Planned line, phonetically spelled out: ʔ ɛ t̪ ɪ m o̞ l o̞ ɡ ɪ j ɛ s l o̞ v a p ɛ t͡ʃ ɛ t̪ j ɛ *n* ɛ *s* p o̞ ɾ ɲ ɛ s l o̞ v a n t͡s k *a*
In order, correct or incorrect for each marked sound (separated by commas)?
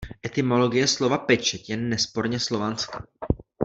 incorrect, correct, correct